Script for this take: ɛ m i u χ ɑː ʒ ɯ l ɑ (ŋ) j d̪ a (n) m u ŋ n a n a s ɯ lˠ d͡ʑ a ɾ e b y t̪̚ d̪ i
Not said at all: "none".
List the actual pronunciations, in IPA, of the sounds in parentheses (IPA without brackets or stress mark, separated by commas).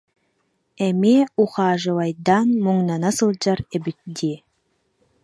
none, n